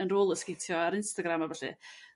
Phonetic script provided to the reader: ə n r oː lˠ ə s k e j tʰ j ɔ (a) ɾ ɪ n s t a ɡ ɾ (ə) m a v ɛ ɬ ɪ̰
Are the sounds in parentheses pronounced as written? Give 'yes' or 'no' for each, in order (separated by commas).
yes, no